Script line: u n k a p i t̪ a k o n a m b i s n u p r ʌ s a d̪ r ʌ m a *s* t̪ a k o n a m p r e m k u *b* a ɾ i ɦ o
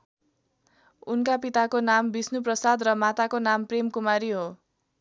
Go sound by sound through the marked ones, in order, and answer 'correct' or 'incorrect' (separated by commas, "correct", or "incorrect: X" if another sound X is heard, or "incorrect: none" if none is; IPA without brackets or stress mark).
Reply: incorrect: none, incorrect: m